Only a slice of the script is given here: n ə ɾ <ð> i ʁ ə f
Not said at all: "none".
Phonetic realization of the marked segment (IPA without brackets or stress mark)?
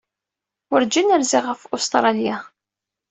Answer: z